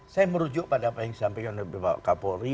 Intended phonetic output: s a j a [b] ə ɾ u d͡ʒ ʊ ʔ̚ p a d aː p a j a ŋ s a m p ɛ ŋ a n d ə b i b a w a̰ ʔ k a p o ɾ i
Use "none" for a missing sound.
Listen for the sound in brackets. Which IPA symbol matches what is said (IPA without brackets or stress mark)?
m